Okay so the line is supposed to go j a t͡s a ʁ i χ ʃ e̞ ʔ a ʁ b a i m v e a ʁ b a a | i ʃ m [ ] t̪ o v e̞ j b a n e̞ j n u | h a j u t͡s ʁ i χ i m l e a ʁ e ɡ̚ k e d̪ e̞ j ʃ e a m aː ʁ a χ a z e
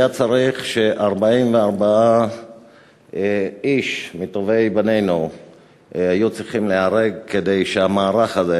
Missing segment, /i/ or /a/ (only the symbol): i